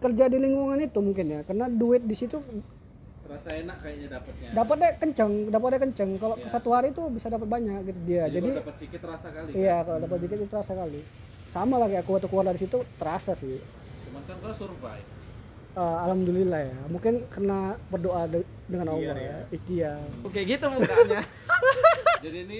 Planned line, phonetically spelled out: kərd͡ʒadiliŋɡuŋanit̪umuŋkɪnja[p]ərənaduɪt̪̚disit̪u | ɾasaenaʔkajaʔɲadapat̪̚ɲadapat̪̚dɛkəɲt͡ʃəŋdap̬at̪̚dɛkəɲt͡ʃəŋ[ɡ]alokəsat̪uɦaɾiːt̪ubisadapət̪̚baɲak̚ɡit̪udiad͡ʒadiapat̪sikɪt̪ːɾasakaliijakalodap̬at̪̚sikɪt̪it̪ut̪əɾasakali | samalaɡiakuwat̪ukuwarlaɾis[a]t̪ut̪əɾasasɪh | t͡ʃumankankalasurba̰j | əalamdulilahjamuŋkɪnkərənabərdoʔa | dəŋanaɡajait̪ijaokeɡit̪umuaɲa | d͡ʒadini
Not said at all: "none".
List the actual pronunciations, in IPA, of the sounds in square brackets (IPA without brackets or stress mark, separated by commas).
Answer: k, k, i